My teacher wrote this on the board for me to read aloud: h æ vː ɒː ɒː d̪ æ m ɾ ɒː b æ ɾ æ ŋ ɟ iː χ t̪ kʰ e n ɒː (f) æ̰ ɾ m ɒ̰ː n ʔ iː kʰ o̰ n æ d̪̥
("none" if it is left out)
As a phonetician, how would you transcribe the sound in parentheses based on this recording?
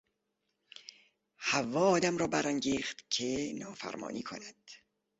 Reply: f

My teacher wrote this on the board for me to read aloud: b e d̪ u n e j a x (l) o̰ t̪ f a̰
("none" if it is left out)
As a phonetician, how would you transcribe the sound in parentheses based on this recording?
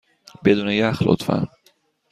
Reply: l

